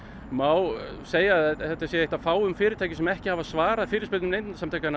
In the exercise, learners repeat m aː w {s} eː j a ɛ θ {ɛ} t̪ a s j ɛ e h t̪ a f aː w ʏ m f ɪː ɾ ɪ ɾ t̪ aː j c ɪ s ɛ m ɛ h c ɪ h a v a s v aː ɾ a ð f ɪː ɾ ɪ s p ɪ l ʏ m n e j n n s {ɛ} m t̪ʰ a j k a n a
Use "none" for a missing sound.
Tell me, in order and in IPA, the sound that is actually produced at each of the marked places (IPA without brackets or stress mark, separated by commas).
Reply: s, ɛ, a